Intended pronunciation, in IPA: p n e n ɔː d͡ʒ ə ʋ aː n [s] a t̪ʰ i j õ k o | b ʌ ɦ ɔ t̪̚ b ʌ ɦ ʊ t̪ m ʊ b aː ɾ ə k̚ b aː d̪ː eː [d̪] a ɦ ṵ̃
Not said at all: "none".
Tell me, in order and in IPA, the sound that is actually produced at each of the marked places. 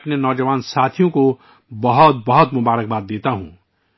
s, t̪

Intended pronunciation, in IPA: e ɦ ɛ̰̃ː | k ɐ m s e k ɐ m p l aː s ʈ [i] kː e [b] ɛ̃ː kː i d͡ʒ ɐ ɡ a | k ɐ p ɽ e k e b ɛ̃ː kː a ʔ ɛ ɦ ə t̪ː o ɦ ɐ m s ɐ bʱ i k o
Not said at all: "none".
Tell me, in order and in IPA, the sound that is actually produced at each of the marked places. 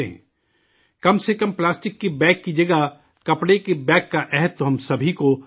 ɪ, b

